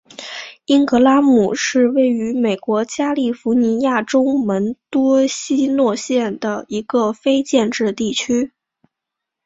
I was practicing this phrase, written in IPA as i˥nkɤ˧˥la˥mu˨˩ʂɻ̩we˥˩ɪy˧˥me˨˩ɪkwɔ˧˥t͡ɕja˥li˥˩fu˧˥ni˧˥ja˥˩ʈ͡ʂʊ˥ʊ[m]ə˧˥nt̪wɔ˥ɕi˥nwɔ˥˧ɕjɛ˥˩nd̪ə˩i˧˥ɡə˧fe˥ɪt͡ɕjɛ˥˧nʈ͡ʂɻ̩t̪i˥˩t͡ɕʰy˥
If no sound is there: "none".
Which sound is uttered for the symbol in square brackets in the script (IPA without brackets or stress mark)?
m